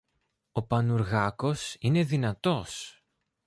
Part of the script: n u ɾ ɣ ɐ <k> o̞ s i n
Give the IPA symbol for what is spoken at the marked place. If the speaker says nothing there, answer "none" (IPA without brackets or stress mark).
k